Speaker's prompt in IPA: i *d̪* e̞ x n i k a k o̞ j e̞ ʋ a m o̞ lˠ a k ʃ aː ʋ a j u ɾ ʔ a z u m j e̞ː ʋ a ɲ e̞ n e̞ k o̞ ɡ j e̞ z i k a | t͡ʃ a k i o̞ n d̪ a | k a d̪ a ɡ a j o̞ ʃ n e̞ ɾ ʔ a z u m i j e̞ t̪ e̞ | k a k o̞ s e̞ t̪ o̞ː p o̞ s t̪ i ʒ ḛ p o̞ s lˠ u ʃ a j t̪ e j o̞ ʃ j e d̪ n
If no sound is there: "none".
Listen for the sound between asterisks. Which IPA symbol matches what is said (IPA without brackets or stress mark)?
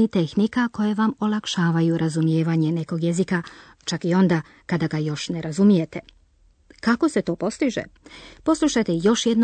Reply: t̪